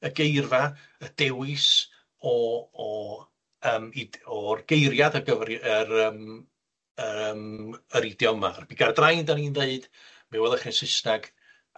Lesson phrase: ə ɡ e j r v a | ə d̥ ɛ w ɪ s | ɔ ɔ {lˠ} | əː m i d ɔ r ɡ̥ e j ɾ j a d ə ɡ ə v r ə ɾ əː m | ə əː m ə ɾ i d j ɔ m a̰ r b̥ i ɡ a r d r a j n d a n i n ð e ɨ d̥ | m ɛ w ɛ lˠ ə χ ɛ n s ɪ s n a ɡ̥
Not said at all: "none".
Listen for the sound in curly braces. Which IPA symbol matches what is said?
none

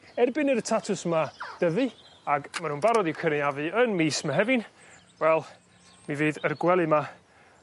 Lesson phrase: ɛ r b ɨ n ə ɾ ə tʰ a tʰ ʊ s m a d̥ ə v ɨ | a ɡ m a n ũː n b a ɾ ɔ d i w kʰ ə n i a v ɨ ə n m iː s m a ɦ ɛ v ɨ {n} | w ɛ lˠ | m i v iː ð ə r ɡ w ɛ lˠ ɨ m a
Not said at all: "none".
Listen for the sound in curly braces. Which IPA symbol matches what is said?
n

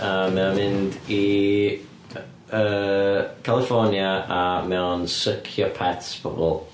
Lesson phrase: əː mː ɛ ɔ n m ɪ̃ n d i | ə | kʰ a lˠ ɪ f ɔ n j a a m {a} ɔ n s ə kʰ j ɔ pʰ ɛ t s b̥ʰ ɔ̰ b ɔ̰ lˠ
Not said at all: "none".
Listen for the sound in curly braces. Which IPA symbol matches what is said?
ɛ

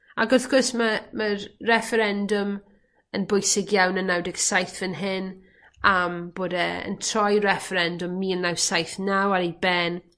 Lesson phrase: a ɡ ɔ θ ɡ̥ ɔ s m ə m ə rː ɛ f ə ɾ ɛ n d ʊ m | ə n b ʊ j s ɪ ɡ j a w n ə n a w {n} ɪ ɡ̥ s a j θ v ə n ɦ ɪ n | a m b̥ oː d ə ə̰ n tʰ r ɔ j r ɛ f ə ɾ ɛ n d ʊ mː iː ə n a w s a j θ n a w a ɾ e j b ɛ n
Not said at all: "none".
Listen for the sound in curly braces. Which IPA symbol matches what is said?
d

